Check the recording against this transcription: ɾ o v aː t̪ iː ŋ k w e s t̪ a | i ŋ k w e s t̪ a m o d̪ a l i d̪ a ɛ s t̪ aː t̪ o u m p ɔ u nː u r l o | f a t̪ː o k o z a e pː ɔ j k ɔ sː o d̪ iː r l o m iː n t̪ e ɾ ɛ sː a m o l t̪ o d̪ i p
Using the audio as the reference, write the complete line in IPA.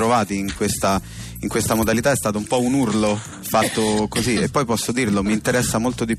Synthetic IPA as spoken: ɾ o v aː t̪ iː ŋ k w e s t̪ a | i ŋ k w e s t̪ a m o d̪ a l i t̪ a ɛ s t̪ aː t̪ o u m p ɔ u n u r l o | f a t̪ː o k o z i e pː ɔ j p ɔ sː o d̪ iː r l o m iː n t̪ e ɾ ɛ sː a m o l t̪ o d̪ i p